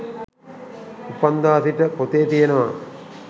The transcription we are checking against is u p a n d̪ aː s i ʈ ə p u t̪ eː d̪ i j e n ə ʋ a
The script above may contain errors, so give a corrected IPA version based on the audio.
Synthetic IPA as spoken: u p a n d̪ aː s i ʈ ə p o t̪ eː t̪ i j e n ə ʋ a